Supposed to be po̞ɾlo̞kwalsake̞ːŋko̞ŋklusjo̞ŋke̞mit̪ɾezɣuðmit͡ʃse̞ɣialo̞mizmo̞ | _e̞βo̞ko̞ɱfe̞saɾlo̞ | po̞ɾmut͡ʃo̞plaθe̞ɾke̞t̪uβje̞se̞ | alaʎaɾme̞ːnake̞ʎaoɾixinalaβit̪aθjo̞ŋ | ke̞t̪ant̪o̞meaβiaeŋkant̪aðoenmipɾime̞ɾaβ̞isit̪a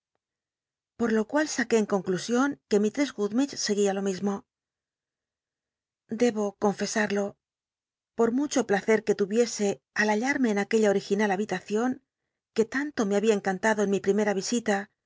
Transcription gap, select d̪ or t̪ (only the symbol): d̪